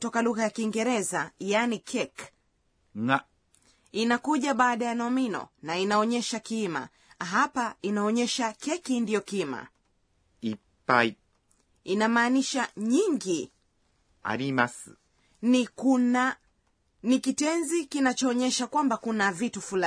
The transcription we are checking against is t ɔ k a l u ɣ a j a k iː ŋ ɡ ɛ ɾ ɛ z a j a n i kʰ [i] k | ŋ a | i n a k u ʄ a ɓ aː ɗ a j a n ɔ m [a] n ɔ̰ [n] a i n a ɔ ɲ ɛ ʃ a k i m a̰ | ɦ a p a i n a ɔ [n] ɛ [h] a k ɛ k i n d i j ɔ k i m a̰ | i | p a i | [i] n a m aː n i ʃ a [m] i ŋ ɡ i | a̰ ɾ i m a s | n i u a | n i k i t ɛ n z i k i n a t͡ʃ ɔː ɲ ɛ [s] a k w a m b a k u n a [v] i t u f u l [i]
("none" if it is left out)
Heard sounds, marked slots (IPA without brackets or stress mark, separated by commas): ɛ, i, n, ɲ, ʃ, i, ɲ, ʃ, v, a